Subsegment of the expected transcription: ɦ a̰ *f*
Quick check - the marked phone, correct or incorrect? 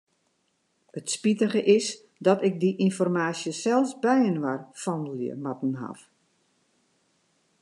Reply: correct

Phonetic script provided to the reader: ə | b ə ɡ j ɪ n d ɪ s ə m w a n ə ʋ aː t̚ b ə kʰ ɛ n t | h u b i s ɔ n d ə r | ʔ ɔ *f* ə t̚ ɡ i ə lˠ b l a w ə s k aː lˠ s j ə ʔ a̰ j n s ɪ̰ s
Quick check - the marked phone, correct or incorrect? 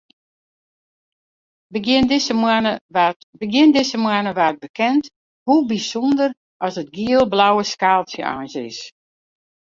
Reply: incorrect: s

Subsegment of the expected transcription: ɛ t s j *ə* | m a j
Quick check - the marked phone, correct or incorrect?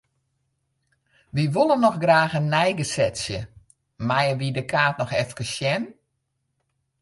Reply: correct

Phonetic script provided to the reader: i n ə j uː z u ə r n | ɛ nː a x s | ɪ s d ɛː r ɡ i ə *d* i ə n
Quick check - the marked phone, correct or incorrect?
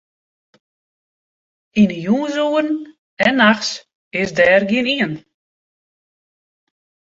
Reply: incorrect: n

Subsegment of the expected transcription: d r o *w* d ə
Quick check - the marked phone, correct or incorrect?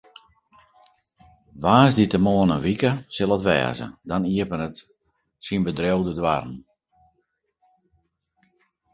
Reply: correct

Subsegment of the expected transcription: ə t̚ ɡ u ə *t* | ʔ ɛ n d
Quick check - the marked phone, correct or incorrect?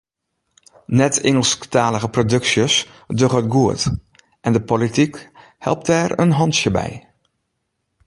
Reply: correct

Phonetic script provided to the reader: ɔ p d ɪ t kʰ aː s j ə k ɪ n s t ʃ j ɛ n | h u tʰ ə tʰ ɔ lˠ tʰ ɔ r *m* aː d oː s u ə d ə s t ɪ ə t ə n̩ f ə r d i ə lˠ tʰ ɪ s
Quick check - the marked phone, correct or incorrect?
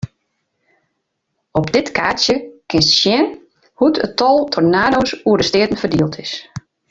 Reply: incorrect: n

